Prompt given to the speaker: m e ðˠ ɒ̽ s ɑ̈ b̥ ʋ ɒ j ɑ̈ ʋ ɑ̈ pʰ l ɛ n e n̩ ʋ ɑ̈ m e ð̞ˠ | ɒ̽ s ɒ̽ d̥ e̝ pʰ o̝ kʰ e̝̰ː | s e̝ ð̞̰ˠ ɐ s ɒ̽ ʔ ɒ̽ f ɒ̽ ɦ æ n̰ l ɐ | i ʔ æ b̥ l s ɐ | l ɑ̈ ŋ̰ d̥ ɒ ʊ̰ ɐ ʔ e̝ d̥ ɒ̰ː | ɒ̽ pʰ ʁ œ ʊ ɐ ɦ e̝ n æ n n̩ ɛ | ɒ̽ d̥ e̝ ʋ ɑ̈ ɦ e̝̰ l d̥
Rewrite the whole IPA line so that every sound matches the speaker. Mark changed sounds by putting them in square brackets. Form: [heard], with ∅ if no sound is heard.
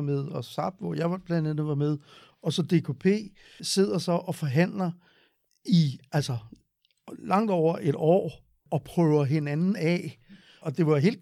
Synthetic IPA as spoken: m e ðˠ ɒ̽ s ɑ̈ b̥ ʋ ɒ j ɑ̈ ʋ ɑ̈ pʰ l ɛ n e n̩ ʋ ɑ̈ m e ð̞ˠ | ɒ̽ s ɒ̽ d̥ e̝ [kʰ] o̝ [pʰ] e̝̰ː | s e̝ ð̞̰ˠ ɐ s ɒ̽ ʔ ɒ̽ f ɒ̽ ɦ æ n̰ l ɐ | i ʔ æ [∅] l s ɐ | l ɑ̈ ŋ̰ d̥ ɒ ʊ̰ ɐ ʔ e̝ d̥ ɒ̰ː | ɒ̽ pʰ ʁ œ ʊ ɐ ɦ e̝ n æ n n̩ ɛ | ɒ̽ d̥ e̝ ʋ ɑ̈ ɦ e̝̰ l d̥